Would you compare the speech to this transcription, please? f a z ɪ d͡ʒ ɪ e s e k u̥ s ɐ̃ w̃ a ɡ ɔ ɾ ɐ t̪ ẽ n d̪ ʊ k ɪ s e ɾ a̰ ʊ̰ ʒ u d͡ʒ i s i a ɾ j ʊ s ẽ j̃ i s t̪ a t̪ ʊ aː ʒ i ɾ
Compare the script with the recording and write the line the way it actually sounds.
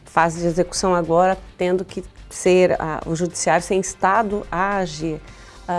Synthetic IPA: f a z ɪ d͡ʒ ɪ e z e k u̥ s ɐ̃ w̃ a ɡ ɔ ɾ ɐ t̪ ẽ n d̪ ʊ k ɪ s e ɾ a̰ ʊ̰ ʒ u d͡ʒ i s i a ɾ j ʊ s ẽ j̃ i s t̪ a d̪ ʊ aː ʒ i ɾ